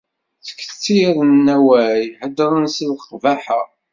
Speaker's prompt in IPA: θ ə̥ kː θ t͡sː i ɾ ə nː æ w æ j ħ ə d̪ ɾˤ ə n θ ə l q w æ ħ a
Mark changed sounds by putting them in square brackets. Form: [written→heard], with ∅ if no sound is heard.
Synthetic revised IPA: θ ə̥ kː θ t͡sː i ɾ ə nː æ w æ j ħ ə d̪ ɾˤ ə n [θ→s] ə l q [w→v] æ ħ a